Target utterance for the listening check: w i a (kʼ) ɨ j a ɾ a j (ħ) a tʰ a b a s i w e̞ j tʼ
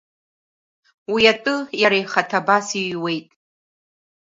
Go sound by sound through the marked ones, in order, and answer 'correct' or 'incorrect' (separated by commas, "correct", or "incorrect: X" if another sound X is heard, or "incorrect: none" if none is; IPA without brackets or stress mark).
incorrect: tʼ, incorrect: χ